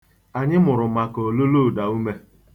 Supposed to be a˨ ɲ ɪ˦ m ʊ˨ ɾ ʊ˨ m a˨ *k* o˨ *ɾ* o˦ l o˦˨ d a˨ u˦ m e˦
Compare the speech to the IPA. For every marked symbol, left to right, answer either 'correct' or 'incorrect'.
correct, incorrect

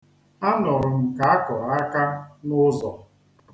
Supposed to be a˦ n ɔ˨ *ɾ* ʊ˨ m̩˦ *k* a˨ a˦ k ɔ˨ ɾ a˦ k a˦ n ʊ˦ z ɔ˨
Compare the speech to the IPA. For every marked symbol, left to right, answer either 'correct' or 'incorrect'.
correct, correct

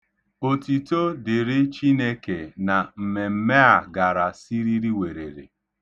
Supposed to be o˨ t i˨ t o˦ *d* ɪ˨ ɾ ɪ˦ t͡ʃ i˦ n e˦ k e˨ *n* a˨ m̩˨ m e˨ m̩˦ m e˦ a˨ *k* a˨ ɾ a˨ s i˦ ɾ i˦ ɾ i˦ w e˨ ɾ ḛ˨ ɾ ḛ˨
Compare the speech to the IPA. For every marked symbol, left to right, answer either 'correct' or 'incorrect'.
correct, correct, incorrect

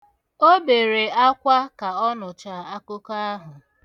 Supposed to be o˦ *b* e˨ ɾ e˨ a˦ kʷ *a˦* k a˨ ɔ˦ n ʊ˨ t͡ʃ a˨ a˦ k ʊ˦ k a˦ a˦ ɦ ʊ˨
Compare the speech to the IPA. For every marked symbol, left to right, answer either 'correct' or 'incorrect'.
correct, correct

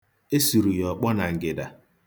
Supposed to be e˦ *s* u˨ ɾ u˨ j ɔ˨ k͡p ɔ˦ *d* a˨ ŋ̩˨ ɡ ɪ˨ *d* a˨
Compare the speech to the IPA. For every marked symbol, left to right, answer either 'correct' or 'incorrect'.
correct, incorrect, correct

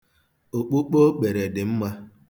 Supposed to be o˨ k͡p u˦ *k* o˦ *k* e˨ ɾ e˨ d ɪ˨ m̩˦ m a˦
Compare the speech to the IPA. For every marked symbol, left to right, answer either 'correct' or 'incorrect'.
incorrect, incorrect

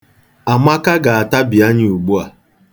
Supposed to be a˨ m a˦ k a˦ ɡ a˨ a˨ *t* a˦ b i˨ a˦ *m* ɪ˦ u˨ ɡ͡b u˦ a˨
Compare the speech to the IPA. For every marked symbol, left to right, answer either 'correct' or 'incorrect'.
correct, incorrect

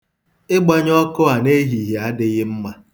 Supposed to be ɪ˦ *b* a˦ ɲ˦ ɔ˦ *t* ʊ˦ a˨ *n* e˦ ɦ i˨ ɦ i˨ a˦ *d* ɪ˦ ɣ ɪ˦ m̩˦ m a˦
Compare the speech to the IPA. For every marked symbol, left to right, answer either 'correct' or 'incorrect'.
incorrect, incorrect, correct, correct

